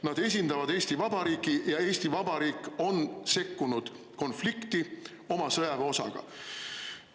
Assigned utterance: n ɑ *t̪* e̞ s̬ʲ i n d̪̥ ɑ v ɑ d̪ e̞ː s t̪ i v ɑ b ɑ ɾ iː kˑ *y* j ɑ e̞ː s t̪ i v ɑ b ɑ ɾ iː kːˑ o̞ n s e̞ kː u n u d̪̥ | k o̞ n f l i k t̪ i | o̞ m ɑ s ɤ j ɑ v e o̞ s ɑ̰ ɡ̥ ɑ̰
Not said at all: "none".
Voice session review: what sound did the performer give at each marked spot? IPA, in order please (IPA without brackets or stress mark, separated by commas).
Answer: d̪, i